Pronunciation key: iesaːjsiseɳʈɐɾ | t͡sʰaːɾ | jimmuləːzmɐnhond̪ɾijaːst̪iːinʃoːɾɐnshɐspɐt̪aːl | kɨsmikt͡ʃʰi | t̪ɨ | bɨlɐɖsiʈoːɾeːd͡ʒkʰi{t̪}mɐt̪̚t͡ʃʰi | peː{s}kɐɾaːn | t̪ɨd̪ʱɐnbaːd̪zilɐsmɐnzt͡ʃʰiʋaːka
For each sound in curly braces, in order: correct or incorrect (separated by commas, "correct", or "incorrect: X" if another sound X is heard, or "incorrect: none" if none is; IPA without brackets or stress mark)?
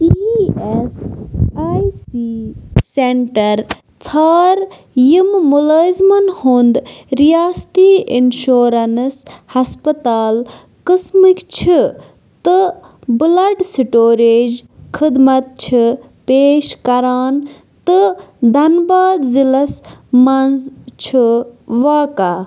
incorrect: d̪, incorrect: ʃ